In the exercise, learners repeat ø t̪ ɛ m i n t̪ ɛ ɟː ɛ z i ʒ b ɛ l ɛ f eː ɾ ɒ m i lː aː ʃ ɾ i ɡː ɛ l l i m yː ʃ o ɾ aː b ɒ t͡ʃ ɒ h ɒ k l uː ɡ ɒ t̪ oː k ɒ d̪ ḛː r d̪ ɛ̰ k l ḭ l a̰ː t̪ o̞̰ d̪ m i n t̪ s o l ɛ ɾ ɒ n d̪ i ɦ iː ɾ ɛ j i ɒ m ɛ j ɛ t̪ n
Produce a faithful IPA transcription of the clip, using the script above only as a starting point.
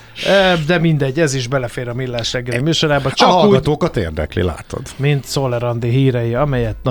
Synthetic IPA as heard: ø d̪ ɛ m i n d̪ ɛ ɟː ɛ z i ʒ b ɛ l ɛ f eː ɾ ɒ m i lː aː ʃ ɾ ɛ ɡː ɛ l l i m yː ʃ o ɾ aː b ɒ t͡ʃ ɒ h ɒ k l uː ɡ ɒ t̪ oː k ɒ t̪ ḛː r d̪ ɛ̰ k l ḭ l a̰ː t̪ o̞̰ d̪ m i n t̪ s o l ɛ ɾ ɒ n d̪ i ɦ iː ɾ ɛ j i ɒ m ɛ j ɛ t̪ n